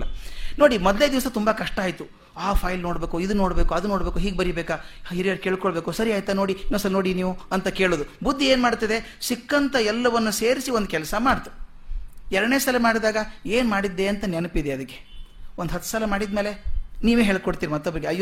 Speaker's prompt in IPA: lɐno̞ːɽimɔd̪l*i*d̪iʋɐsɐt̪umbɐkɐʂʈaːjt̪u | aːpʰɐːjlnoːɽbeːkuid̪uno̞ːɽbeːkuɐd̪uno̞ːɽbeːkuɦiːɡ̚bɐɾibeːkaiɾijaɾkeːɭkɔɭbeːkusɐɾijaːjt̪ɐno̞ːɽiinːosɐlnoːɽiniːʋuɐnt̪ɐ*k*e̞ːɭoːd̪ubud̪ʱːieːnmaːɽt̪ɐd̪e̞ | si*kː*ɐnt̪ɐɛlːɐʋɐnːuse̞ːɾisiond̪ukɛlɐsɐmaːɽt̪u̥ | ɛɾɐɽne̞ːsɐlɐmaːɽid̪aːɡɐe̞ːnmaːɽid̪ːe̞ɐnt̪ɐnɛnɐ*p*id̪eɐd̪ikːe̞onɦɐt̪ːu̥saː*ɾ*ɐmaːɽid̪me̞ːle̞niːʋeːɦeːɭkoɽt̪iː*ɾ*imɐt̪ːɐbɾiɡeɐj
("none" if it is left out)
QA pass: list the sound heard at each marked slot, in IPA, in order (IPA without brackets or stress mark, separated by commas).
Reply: e, k, kː, p, l, ɾ